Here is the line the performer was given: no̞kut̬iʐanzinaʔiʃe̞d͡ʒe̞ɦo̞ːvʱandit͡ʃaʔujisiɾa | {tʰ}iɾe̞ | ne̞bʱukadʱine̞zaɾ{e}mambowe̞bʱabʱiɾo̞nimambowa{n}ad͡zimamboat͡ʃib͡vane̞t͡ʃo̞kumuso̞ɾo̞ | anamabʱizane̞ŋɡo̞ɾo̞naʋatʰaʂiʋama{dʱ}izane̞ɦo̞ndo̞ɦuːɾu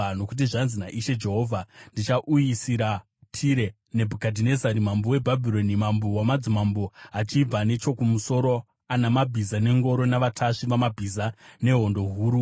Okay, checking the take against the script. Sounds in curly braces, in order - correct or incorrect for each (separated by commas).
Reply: correct, incorrect, incorrect, incorrect